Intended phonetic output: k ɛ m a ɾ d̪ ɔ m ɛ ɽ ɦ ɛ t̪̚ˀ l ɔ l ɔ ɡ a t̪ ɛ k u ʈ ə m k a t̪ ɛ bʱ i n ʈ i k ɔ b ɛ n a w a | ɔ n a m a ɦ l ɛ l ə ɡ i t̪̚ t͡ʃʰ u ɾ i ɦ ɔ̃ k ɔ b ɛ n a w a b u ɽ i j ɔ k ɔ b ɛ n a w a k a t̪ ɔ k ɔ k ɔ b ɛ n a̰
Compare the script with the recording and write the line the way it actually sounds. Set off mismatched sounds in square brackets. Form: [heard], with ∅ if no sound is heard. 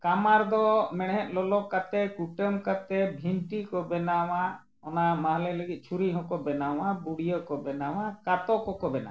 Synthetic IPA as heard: k [a] m a ɾ d̪ ɔ m ɛ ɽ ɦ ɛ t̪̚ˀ l ɔ l ɔ [k] a t̪ ɛ k u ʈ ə m k a t̪ ɛ bʱ i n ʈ i k ɔ b ɛ n a w a | ɔ n a m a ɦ l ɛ l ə ɡ i t̪̚ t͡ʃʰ u ɾ i ɦ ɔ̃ k ɔ b ɛ n a w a b u ɽ i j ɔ k ɔ b ɛ n a w a k a t̪ ɔ k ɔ k ɔ b ɛ n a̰